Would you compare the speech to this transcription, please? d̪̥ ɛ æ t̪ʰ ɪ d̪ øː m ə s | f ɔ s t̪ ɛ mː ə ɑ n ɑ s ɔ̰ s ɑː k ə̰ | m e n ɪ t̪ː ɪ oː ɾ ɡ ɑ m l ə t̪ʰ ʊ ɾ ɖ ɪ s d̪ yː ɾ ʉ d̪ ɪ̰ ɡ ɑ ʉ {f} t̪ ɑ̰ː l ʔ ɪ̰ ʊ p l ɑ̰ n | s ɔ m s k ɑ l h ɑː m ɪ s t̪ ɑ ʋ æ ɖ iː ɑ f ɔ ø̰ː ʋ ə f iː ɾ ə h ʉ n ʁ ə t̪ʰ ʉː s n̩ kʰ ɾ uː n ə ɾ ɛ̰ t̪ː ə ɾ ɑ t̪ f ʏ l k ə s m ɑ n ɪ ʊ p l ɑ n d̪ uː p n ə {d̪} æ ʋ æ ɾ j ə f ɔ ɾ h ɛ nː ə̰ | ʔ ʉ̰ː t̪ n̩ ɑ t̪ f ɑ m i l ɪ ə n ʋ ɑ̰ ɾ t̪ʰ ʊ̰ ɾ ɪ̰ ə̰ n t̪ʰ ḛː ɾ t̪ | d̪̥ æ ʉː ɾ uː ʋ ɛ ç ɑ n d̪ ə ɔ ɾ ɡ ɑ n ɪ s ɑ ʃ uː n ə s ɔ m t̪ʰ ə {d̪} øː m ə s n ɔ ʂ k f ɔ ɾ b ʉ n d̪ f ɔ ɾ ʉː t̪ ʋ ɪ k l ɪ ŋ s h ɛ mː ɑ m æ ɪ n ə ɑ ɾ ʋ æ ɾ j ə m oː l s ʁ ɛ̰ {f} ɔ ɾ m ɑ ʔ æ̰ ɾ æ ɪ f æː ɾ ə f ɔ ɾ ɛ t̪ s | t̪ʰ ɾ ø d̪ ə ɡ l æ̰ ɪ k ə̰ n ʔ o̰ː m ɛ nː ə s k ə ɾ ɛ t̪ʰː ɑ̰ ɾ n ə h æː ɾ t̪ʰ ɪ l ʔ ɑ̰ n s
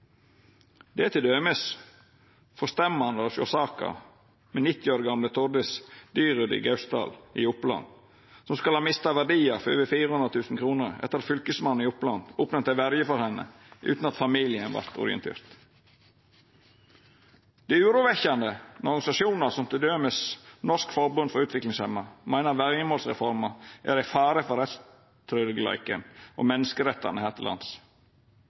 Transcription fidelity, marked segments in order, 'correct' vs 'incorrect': incorrect: s, incorrect: t̪, correct, correct

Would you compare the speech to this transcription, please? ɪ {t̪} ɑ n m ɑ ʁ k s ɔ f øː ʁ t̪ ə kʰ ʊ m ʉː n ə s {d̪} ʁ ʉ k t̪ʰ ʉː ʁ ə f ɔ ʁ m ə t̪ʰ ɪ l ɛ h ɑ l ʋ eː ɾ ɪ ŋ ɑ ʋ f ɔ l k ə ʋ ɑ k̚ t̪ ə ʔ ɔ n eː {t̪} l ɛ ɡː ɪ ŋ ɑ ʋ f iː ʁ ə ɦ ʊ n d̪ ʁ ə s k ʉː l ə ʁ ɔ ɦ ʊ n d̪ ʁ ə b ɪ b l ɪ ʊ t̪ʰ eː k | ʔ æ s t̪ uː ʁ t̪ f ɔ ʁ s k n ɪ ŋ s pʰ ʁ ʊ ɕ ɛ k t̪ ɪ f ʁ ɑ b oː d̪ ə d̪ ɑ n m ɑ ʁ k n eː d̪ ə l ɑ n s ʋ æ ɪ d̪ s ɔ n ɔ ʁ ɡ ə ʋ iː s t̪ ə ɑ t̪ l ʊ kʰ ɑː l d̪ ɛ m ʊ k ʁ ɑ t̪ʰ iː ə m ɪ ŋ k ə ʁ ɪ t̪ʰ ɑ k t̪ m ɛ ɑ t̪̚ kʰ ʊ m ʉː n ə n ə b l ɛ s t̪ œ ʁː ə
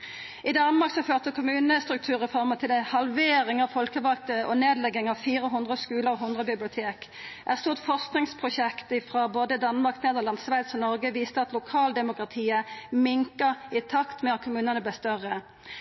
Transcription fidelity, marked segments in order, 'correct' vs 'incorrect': incorrect: d̪, incorrect: t̪, incorrect: d̪

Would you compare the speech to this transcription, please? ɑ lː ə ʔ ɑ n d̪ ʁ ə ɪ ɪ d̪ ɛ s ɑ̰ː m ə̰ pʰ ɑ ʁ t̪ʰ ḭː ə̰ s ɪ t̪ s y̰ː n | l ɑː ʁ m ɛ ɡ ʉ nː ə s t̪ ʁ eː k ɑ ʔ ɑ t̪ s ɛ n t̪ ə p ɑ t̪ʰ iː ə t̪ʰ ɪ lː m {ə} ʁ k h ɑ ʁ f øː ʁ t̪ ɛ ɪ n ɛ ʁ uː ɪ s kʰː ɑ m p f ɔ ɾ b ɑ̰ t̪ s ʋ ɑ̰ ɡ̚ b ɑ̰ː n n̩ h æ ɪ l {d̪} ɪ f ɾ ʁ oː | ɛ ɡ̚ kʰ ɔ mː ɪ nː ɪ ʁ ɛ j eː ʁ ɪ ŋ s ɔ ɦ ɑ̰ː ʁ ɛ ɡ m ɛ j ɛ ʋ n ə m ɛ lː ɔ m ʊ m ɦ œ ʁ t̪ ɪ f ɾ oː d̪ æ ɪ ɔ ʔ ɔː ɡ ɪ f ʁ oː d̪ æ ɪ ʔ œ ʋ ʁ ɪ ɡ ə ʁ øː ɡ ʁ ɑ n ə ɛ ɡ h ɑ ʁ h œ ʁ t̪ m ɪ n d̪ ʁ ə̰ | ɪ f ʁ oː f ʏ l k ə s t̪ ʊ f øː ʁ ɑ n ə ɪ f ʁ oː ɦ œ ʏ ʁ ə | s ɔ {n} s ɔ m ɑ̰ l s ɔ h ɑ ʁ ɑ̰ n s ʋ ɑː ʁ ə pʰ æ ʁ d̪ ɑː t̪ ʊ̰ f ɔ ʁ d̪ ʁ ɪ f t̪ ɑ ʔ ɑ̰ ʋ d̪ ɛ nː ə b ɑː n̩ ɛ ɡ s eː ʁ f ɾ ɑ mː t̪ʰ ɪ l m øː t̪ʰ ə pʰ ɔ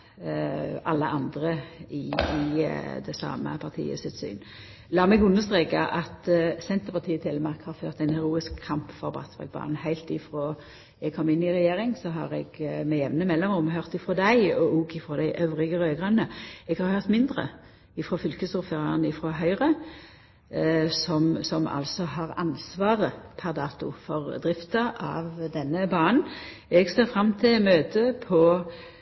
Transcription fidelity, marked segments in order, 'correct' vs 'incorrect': incorrect: ɑ, incorrect: t̪, incorrect: m

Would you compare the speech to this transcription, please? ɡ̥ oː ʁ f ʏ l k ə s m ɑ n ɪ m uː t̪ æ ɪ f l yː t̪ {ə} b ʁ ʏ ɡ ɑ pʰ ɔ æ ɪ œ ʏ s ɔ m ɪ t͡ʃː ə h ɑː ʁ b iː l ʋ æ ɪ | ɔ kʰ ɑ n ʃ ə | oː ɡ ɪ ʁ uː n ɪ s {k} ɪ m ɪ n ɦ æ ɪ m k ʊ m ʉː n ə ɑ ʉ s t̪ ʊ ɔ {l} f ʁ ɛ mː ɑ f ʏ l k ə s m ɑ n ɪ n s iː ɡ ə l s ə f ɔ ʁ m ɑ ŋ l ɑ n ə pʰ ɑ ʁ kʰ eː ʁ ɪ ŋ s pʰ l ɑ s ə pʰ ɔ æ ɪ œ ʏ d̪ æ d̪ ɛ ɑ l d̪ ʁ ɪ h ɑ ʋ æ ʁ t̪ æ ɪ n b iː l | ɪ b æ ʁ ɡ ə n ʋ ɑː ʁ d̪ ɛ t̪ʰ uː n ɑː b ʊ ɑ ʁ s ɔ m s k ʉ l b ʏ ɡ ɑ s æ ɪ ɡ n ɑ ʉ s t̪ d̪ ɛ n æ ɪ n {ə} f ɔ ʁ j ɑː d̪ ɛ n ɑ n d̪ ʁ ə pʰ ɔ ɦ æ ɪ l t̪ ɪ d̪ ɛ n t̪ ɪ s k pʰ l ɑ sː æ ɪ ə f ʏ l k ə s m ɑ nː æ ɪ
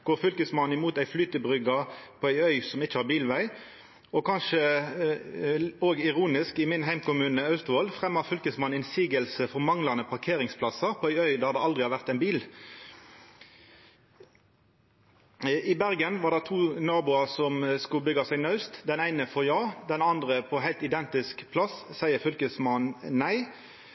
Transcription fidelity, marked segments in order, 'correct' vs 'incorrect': correct, correct, correct, correct

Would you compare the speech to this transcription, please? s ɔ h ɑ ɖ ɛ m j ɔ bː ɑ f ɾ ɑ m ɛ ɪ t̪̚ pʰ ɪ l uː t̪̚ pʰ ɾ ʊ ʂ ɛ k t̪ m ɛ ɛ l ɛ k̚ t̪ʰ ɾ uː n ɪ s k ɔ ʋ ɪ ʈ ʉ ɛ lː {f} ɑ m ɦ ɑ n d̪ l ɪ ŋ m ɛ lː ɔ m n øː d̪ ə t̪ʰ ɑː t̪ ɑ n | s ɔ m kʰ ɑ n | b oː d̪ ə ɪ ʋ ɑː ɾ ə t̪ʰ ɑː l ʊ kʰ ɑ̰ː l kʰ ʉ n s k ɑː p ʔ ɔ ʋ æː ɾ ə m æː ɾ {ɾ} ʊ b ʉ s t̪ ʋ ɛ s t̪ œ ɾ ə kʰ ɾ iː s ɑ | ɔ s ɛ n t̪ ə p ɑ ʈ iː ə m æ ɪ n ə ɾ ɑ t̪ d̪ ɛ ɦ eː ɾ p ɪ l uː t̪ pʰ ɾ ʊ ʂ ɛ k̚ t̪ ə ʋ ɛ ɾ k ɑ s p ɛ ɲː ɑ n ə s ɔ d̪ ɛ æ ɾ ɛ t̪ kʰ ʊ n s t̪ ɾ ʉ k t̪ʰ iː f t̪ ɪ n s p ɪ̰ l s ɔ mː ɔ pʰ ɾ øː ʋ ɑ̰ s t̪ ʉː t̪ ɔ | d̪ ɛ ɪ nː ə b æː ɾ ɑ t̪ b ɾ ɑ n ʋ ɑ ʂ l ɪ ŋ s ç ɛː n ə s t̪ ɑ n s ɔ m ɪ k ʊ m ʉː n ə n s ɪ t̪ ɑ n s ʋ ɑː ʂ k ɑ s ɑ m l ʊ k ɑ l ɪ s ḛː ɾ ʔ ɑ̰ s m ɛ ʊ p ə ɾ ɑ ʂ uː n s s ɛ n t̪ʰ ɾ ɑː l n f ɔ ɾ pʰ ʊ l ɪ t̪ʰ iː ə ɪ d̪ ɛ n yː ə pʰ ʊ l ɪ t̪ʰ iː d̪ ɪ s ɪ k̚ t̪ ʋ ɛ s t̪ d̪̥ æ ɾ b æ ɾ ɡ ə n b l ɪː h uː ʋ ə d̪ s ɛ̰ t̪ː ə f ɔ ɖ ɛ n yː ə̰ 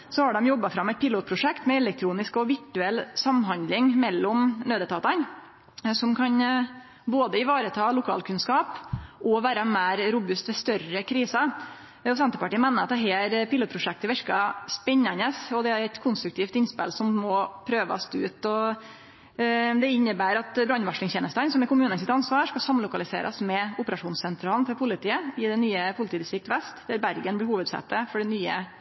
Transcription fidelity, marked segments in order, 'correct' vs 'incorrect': incorrect: s, correct

